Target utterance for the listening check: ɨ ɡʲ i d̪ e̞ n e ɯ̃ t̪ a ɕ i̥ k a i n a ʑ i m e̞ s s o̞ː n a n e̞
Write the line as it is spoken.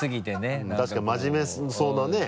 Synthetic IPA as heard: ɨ ɡʲ i t̪ e̞ n e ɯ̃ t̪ a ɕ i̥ k a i m a ʑ i m e̞ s s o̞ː n a n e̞